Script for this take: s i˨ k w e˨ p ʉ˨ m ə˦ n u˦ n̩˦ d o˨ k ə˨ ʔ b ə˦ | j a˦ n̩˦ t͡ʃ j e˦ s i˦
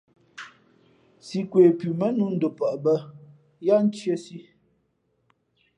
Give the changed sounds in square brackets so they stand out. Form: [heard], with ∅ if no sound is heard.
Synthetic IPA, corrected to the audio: s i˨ k w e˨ p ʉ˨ m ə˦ n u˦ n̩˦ d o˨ [p] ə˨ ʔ b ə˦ | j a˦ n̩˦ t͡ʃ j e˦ s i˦